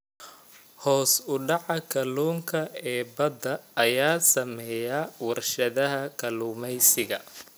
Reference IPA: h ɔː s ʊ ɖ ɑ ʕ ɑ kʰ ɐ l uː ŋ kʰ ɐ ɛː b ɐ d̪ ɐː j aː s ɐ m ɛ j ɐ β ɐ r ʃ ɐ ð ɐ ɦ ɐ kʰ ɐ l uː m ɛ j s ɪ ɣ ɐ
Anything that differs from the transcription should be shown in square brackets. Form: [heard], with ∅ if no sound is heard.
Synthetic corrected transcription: h ɔː s ʊ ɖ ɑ ʕ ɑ kʰ ɐ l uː ŋ kʰ ɐ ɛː b ɐ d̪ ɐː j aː s ɐ m ɛ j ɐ [w] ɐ r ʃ ɐ ð ɐ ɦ ɐ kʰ ɐ l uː m ɛ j s ɪ ɣ ɐ